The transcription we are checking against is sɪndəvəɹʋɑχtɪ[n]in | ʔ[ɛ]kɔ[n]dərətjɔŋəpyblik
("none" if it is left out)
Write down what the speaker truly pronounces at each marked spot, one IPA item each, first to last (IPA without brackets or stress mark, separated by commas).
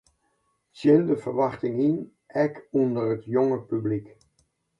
ŋ, ɛ, n